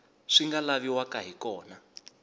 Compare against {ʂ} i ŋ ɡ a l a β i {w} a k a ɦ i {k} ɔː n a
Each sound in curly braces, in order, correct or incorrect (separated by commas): correct, correct, correct